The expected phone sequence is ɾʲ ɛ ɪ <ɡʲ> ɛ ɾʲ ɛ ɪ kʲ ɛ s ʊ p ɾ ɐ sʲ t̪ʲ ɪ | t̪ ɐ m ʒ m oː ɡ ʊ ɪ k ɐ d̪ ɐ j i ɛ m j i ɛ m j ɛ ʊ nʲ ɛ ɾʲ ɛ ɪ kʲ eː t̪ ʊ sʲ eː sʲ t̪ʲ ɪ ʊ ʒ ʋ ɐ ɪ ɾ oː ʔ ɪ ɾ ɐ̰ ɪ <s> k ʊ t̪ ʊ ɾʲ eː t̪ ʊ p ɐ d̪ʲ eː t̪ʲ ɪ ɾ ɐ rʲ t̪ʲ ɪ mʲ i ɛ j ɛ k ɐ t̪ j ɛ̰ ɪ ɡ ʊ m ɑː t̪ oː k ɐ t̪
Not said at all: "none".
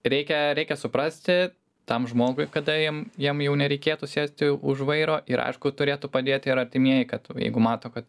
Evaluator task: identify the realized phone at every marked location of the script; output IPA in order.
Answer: kʲ, ʃ

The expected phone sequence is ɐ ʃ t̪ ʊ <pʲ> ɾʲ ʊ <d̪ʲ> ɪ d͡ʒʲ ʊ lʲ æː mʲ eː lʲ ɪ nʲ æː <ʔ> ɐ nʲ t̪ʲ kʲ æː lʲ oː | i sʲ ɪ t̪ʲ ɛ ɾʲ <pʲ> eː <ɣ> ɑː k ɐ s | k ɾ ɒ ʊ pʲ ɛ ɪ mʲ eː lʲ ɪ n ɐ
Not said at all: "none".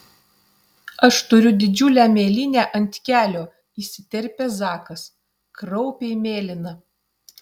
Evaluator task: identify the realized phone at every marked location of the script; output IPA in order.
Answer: none, d̪ʲ, ʔ, pʲ, z

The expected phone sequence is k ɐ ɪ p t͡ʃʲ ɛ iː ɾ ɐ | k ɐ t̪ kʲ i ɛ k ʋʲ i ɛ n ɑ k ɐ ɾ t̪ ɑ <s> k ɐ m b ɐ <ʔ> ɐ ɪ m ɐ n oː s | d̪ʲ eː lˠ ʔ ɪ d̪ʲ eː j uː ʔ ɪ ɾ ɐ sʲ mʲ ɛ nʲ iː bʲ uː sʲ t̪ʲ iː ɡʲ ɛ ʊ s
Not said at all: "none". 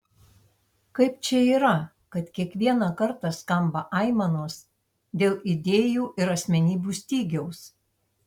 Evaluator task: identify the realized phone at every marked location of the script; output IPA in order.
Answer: s, ʔ

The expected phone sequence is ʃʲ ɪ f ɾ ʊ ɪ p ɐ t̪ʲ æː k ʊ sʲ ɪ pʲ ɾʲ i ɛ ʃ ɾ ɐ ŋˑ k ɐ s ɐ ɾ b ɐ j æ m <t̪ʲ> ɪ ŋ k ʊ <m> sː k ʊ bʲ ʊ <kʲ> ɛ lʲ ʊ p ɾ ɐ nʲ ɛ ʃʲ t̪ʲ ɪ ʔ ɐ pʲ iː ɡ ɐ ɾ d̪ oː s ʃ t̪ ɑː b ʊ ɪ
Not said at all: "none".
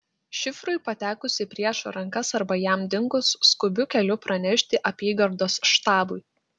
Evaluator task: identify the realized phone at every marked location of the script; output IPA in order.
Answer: d̪ʲ, none, kʲ

